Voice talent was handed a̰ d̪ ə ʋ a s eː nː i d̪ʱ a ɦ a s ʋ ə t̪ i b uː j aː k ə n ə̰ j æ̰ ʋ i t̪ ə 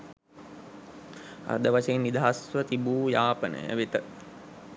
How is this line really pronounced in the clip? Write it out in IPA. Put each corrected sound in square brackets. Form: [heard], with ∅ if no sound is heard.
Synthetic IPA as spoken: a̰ d̪ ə ʋ a s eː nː i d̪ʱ a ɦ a s ʋ ə t̪ i b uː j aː [p] ə n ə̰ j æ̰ ʋ i t̪ ə